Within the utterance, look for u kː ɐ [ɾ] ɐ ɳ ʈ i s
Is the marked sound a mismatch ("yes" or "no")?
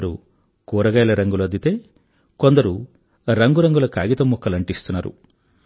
yes